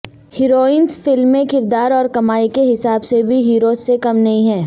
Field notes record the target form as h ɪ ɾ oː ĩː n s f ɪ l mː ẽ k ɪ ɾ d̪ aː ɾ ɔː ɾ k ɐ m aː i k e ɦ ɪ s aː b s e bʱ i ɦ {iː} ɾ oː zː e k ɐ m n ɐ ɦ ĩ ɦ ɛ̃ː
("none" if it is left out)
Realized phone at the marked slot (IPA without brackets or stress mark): iː